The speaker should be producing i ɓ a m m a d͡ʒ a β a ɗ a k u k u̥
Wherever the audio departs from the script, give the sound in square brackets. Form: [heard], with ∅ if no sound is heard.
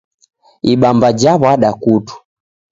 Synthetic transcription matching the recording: i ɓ a m [b] a d͡ʒ a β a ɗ a k u [t] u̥